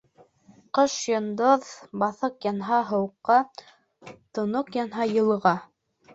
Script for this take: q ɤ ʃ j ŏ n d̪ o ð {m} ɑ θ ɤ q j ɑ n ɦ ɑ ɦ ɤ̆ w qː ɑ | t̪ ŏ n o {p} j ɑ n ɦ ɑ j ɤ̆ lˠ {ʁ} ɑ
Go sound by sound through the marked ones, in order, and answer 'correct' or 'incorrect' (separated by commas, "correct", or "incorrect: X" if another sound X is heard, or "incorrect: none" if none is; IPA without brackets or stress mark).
incorrect: b, incorrect: q, correct